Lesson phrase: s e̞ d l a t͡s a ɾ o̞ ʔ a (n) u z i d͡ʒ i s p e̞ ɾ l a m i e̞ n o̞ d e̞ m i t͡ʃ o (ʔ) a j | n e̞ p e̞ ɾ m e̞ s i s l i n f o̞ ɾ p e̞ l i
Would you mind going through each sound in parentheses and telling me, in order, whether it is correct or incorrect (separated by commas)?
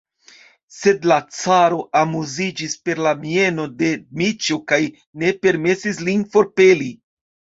incorrect, incorrect